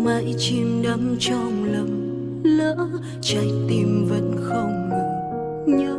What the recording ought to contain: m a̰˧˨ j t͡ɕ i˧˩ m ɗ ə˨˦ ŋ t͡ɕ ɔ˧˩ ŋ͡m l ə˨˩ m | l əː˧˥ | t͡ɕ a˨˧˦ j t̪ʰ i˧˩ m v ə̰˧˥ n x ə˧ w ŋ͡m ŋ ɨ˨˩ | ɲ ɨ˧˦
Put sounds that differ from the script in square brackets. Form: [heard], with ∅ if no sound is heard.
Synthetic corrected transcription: m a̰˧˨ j t͡ɕ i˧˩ m ɗ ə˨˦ [m] t͡ɕ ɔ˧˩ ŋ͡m l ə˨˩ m | l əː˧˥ | t͡ɕ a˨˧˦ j [t̪] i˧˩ m v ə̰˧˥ n x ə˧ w ŋ͡m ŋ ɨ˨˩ | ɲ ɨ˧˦